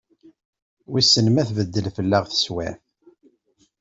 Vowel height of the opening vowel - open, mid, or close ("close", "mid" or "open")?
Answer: close